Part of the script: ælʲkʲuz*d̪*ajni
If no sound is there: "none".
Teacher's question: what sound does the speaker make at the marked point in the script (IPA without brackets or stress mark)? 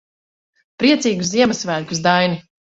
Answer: d̪